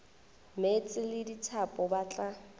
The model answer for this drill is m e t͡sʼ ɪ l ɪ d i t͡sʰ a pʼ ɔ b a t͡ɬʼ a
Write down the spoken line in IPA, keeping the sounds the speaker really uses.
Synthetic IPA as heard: m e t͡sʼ ɪ l ɪ d i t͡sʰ a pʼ ɔ b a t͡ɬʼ a